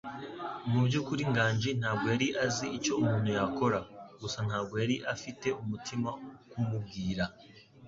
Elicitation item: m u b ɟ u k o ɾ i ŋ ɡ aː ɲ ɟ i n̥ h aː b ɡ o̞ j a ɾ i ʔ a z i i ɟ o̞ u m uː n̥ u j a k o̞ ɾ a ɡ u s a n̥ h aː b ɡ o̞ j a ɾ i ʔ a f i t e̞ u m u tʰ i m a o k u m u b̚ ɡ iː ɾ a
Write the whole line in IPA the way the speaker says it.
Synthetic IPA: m u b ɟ u k u ɾ i ŋ ɡ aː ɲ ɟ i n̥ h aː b ɡ o̞ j a ɾ i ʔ a z i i c o̞ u m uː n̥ u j a k o̞ ɾ a ɡ u s a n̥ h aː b ɡ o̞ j a ɾ i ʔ a f i t e̞ u m u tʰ i m a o k u m u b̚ ɡ iː ɾ a